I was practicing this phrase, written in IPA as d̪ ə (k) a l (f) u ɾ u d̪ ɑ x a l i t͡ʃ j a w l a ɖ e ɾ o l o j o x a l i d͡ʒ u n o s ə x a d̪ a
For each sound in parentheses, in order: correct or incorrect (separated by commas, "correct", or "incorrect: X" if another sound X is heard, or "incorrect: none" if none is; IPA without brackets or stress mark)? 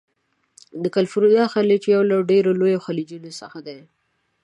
correct, correct